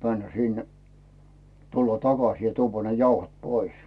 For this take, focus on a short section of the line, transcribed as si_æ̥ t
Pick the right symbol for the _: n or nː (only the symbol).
nː